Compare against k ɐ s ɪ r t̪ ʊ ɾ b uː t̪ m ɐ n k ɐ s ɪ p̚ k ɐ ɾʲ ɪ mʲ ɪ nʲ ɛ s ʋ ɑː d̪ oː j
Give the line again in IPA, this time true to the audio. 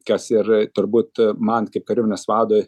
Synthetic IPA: k ɐ s ɪ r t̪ ʊ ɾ b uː t̪ m ɐ n k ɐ ɪ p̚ k ɐ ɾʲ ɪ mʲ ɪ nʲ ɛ s ʋ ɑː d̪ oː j